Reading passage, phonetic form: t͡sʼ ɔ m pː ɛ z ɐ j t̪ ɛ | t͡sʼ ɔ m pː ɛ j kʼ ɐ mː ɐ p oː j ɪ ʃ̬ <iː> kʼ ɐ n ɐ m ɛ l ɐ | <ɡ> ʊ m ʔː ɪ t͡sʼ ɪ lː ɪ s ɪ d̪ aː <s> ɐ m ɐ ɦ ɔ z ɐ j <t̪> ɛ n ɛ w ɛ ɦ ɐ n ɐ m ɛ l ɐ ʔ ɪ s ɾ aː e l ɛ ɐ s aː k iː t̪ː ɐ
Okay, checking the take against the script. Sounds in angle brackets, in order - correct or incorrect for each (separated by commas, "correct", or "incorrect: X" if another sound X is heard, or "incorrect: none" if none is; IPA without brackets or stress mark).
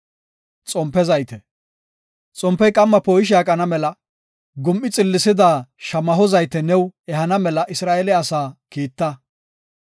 incorrect: aː, correct, incorrect: ʃ, correct